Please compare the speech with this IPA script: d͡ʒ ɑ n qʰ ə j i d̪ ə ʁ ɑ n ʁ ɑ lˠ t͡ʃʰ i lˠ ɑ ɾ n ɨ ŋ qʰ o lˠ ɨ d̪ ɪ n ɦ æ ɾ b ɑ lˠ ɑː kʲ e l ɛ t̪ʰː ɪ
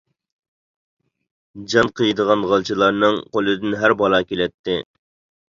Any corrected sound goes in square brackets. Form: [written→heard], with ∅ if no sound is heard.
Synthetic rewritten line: d͡ʒ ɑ n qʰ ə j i d̪ ə ʁ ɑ n ʁ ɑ lˠ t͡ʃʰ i lˠ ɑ ɾ n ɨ ŋ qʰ o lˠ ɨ d̪ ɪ n ɦ æ ɾ b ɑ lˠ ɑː kʲ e l ɛ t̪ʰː ɪ